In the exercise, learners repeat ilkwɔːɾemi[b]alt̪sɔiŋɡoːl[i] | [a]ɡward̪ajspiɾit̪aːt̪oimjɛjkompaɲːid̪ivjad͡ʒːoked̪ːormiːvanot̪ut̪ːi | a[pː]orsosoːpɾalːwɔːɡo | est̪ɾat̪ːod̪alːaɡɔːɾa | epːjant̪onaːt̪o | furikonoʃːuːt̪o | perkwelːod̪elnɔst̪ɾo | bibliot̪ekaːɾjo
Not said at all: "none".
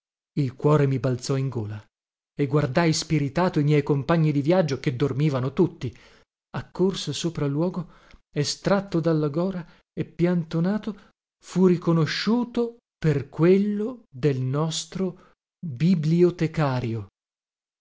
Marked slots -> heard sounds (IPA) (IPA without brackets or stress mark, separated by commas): b, a, e, kː